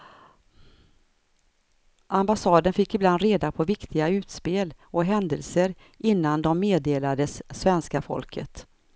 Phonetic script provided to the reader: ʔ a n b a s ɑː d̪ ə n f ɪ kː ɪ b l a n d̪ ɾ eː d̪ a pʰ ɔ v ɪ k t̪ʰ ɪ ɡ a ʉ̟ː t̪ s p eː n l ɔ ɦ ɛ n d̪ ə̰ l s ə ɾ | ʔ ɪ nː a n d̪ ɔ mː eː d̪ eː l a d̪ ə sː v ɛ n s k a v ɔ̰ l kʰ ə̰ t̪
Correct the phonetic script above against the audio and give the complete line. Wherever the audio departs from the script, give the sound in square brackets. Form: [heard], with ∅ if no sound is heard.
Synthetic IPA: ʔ a [m] b a s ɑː d̪ ə n f ɪ kː ɪ b l a n d̪ ɾ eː d̪ a pʰ ɔ v ɪ k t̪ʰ ɪ ɡ a ʉ̟ː t̪ s p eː [∅] l ɔ ɦ ɛ n d̪ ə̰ l s ə ɾ | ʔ ɪ nː a n d̪ ɔ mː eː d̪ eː l a d̪ ə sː v ɛ n s k a [f] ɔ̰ l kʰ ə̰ t̪